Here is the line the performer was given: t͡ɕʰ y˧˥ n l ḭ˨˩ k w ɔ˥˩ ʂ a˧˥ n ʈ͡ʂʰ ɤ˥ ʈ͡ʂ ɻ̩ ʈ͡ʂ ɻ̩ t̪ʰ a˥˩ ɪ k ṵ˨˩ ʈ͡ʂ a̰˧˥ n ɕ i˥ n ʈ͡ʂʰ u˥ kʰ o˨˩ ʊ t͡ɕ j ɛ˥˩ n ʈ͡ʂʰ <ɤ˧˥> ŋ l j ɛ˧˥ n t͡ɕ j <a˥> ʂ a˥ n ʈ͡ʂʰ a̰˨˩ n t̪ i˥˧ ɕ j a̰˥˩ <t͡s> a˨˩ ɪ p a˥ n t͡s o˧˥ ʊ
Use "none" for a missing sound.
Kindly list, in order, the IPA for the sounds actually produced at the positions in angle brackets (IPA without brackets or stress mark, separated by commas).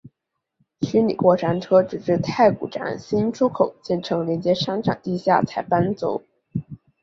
ɤ˧˥, ɛ˥, t͡sʰ